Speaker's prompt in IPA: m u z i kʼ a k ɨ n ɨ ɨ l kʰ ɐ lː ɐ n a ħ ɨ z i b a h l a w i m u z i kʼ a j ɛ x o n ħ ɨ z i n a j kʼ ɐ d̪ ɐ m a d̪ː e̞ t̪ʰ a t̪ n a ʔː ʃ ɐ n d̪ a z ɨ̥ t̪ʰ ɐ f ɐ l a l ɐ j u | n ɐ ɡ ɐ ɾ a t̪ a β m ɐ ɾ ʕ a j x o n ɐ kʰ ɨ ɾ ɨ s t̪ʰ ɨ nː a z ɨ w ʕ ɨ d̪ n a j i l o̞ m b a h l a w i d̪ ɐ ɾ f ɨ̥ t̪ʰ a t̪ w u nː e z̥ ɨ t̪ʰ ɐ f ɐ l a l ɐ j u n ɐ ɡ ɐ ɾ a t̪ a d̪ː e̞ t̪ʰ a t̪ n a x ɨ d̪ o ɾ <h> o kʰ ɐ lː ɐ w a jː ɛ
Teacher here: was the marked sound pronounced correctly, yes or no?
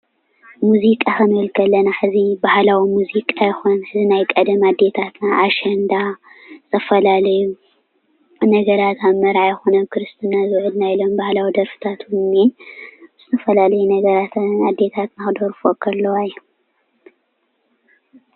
no